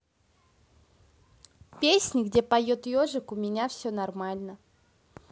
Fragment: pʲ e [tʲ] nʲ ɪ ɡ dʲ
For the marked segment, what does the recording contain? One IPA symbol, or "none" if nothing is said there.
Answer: sʲ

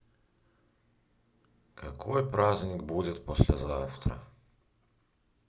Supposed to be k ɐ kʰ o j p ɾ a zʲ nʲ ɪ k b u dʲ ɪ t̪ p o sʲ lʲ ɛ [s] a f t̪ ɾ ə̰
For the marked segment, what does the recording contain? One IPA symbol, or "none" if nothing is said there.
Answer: z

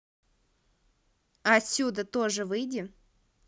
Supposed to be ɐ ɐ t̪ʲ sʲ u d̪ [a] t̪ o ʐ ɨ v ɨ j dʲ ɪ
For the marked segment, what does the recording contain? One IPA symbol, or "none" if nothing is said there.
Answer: ə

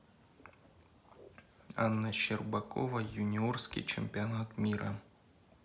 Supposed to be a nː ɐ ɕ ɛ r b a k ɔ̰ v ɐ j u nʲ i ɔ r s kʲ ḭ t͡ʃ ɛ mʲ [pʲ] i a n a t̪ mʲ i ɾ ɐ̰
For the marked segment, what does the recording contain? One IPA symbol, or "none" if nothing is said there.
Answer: pʲ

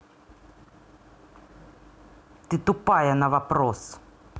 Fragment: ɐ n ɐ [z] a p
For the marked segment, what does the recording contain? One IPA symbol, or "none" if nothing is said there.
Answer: v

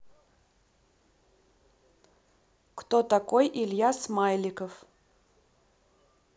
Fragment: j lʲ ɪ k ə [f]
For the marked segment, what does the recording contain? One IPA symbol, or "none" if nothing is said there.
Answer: f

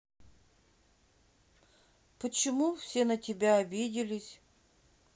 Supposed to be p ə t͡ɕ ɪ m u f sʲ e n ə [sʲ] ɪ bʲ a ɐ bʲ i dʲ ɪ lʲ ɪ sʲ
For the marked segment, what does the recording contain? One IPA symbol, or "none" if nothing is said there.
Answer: tʲ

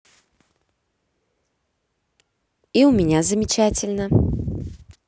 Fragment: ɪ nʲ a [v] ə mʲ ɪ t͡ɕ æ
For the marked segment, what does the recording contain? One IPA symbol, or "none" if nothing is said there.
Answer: z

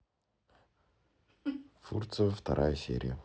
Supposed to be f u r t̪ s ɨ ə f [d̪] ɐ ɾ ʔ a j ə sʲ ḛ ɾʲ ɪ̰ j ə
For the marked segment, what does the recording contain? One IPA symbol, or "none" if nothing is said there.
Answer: t̪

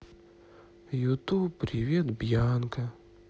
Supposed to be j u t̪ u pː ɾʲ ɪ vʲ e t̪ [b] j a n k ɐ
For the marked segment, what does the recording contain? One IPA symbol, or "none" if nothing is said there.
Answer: b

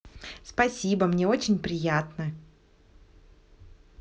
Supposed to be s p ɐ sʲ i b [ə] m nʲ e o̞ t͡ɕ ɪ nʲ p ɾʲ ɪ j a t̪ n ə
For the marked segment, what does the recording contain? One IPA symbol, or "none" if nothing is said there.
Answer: ə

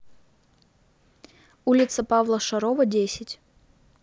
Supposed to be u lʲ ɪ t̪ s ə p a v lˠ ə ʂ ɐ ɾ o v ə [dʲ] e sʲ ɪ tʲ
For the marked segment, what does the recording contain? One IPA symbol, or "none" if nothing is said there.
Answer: dʲ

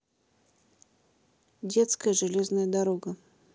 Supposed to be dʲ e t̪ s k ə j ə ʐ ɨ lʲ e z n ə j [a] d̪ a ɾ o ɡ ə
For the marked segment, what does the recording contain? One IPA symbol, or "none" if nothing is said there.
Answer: ə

